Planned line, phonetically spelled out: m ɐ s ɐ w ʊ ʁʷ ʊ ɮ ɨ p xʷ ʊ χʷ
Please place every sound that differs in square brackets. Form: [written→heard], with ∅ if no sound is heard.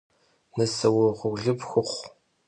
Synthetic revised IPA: [m→n] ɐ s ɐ w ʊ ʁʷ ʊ ɮ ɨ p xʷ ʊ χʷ